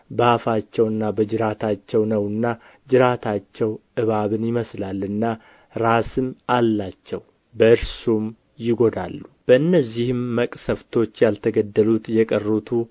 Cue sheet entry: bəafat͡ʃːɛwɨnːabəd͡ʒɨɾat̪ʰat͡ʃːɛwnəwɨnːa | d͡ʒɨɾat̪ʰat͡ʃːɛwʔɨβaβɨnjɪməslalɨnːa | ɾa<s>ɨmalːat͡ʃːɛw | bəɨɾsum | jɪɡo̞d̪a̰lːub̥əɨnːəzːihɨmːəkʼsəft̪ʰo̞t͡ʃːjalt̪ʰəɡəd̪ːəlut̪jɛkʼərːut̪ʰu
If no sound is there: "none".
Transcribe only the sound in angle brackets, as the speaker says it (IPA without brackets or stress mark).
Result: s